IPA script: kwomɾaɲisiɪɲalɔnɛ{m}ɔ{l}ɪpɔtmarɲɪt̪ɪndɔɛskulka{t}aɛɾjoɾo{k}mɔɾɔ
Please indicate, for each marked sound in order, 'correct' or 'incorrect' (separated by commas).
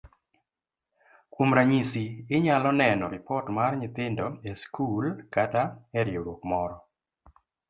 incorrect, incorrect, correct, correct